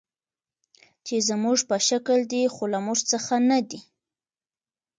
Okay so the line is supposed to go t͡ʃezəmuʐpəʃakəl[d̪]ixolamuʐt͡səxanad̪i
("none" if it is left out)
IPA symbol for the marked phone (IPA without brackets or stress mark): d̪